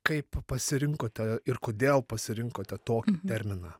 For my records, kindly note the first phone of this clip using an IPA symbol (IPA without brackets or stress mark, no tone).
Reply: k